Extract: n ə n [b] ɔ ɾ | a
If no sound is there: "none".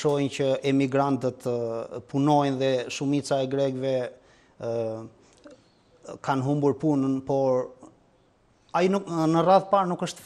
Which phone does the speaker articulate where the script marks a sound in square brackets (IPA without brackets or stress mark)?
p